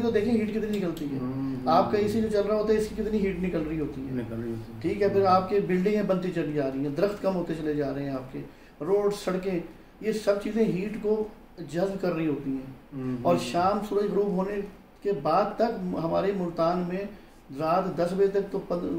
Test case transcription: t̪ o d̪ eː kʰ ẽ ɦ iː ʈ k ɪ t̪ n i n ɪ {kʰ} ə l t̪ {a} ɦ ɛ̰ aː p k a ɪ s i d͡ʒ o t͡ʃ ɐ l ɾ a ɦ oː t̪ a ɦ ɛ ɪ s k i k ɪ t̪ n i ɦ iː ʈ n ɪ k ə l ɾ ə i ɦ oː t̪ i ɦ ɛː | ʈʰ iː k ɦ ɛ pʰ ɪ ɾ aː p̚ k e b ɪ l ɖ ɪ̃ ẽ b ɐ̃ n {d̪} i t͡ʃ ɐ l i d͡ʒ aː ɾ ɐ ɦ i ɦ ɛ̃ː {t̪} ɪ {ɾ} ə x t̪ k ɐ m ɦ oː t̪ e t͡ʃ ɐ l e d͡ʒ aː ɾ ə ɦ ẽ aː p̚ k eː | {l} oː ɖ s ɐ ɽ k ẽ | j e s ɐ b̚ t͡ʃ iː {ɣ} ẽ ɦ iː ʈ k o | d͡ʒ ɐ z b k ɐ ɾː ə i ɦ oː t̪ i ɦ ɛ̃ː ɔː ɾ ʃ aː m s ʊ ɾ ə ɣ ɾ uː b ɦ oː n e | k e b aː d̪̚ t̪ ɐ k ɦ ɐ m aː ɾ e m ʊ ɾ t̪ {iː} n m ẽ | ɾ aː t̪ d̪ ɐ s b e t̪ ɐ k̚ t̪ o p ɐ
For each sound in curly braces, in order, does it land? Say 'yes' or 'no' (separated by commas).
no, no, no, no, yes, no, no, no